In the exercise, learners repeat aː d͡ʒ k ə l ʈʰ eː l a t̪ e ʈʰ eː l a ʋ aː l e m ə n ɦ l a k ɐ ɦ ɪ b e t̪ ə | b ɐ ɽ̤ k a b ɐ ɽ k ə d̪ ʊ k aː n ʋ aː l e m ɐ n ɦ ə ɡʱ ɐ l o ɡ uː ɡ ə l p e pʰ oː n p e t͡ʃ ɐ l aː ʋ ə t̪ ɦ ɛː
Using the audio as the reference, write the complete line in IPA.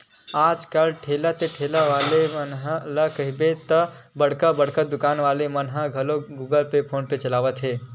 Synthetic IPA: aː d͡ʒ k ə l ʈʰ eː l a t̪ e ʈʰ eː l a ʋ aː l e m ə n ɦ l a k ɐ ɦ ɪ b e t̪ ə | b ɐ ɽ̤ k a b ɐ ɽ k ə d̪ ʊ k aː n ʋ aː l e m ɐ n ɦ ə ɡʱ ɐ l o ɡ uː ɡ ə l p e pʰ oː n p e t͡ʃ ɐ l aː ʋ ə t̪ ɦ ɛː